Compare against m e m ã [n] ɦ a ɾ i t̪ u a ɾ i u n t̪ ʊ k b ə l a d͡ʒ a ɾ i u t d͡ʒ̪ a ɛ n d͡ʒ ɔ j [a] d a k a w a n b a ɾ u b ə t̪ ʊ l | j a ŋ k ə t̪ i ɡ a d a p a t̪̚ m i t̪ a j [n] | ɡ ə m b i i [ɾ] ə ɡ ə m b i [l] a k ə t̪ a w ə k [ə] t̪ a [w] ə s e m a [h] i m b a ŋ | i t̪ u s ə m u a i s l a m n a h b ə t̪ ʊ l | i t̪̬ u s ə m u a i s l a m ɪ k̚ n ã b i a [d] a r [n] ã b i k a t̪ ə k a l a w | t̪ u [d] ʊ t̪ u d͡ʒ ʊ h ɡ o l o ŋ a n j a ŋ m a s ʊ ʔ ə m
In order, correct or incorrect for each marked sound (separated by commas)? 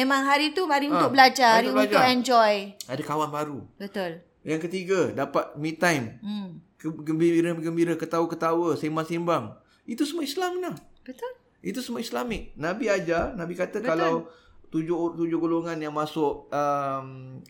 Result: incorrect, correct, incorrect, correct, incorrect, correct, correct, incorrect, incorrect, correct, incorrect